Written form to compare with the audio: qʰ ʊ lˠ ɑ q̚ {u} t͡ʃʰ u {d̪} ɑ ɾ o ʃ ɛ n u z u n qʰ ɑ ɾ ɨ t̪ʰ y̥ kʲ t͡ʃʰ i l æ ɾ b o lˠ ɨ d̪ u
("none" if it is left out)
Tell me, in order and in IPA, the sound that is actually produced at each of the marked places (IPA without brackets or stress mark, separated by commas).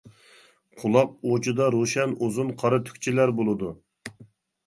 o, d̪